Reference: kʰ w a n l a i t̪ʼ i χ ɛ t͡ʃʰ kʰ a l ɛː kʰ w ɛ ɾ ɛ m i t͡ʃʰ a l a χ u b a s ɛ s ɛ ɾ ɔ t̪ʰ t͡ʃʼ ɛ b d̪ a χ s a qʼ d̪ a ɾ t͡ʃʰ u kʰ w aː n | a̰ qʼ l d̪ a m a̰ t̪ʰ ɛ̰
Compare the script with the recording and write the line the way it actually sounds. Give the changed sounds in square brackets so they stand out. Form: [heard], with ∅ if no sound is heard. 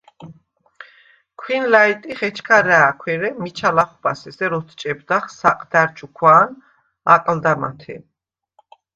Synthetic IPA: kʰ w [i] n l a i t̪ʼ i χ ɛ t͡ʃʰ kʰ a [ɾ] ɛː kʰ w ɛ ɾ ɛ m i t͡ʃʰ a l a χ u b a s ɛ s ɛ ɾ ɔ t̪ʰ t͡ʃʼ ɛ b d̪ a χ s a qʼ d̪ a ɾ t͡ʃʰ u kʰ w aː n | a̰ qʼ l d̪ a m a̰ t̪ʰ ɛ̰